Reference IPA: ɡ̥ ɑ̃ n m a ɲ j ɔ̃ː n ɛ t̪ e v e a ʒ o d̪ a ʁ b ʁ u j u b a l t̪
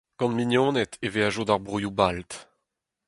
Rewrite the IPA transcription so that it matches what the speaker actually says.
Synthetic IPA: ɡ̥ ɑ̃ n m i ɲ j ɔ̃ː n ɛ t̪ e v e a ʒ o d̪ a ʁ b ʁ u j u b a l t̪